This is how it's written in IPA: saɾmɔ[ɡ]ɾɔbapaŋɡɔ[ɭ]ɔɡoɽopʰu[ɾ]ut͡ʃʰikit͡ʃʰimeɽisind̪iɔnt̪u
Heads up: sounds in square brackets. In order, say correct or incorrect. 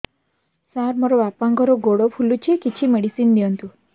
incorrect: none, incorrect: ɾ, incorrect: l

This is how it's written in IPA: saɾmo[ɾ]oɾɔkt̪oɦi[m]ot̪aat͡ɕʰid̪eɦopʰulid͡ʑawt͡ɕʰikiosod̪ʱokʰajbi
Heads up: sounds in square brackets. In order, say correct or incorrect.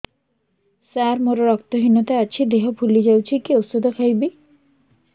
correct, incorrect: n

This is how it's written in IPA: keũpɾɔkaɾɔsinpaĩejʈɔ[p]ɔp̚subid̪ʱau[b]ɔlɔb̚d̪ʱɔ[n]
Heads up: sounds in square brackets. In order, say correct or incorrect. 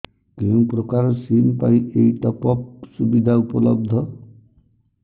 correct, incorrect: p, incorrect: none

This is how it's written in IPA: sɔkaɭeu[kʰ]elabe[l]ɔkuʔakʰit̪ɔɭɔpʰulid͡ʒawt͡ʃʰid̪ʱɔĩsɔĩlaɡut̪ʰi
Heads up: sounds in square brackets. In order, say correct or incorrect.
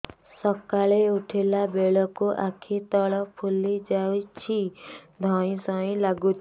incorrect: ʈʰ, incorrect: ɭ

